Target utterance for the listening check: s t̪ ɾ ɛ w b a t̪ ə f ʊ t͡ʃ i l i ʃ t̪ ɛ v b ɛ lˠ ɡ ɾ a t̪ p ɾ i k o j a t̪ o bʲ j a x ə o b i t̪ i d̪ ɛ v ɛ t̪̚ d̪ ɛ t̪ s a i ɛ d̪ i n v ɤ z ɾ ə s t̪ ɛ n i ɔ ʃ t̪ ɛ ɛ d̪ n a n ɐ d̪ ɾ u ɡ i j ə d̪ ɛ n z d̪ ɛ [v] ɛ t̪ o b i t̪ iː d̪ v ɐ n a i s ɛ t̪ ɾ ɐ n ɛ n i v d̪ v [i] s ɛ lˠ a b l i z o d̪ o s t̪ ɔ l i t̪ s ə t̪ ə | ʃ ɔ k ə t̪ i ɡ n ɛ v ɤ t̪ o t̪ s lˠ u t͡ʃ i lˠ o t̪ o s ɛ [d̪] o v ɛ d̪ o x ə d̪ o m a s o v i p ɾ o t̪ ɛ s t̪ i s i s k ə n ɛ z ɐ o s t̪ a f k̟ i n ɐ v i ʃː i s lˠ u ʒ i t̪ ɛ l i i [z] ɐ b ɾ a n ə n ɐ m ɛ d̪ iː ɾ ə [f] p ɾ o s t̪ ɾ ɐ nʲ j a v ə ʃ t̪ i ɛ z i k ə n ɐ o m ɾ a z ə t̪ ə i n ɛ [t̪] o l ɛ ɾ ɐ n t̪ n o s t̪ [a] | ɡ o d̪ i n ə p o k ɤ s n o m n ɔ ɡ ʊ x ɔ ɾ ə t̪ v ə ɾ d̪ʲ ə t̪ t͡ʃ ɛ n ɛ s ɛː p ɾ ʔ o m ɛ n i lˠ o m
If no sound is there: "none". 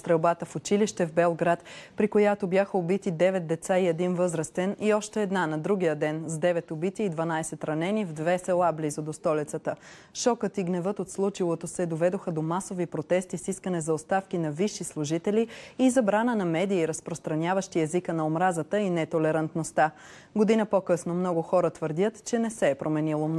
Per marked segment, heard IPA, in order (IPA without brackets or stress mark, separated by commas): v, ɛ, d̪, z, s, t̪, a